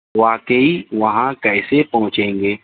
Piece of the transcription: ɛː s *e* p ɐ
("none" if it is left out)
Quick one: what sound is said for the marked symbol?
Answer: e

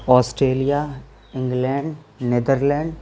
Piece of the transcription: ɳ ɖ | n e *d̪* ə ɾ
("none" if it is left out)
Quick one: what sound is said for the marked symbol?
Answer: d̪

